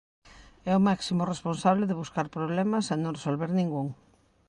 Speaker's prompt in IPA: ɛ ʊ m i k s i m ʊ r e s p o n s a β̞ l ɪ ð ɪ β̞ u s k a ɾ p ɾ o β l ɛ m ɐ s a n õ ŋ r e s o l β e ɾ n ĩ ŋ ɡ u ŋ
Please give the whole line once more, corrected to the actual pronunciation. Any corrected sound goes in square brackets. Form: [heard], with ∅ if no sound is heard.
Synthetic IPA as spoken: ɛ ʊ m [a] k s i m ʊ r e s p o n s a β̞ l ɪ ð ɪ β̞ u s k a ɾ p ɾ o β l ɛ m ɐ s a n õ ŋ r e s o l β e ɾ n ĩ ŋ ɡ u ŋ